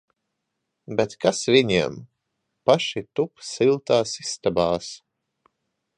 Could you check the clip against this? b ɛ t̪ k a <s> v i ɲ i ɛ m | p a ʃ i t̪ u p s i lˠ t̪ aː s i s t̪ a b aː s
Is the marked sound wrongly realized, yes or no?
no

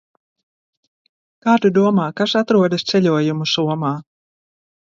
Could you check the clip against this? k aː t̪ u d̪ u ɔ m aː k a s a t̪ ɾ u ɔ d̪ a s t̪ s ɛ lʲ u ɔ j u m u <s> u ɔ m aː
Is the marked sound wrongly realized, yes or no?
no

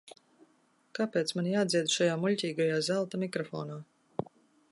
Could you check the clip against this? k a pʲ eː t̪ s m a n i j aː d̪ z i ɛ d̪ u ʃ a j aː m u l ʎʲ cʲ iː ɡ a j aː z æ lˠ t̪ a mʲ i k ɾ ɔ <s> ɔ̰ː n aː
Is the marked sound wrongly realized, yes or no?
yes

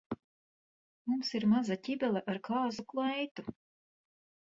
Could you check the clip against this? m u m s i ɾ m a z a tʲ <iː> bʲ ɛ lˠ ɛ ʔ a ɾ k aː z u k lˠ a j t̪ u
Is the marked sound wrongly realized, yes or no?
yes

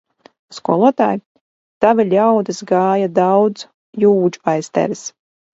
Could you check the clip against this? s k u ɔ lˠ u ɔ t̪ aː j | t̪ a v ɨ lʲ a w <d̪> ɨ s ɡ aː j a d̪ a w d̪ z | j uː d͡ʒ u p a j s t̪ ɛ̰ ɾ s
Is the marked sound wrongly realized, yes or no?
no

